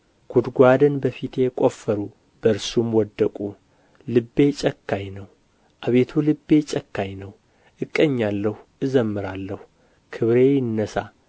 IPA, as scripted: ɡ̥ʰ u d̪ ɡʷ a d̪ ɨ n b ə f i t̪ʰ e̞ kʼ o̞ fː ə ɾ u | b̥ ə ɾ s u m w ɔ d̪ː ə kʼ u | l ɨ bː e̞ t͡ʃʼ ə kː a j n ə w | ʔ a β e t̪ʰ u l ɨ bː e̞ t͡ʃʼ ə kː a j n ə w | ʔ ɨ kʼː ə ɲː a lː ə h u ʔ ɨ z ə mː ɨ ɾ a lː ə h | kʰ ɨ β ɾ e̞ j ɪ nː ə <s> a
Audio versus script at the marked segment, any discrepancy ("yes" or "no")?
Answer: no